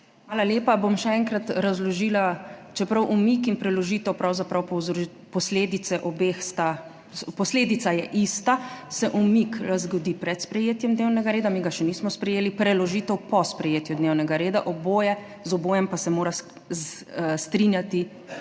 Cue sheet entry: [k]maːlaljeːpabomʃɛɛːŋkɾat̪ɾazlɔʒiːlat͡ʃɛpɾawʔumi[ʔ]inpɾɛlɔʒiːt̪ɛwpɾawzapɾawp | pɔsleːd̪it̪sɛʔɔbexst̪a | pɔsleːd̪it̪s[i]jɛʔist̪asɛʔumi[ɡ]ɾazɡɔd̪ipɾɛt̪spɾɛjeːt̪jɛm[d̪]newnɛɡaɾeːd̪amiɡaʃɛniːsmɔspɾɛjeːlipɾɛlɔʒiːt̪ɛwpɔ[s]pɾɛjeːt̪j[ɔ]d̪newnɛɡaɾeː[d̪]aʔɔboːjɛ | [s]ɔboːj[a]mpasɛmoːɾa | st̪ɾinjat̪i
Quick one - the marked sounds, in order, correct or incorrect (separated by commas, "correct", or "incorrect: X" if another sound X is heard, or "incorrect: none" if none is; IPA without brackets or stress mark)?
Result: incorrect: x, incorrect: k, incorrect: a, incorrect: k, correct, correct, incorrect: u, correct, incorrect: z, incorrect: ɛ